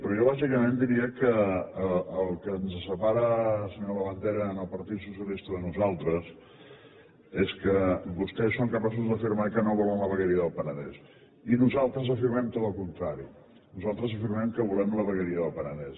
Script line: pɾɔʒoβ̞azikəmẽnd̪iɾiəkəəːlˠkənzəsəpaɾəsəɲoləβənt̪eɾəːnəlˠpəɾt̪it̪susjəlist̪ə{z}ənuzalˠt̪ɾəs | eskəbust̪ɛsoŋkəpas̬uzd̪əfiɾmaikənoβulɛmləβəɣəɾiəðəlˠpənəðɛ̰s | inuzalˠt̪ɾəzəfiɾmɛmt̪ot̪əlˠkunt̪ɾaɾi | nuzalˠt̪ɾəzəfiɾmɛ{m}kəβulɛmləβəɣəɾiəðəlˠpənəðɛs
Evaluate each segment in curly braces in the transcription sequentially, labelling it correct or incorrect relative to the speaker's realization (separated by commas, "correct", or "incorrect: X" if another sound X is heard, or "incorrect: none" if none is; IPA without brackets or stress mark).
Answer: incorrect: ð, correct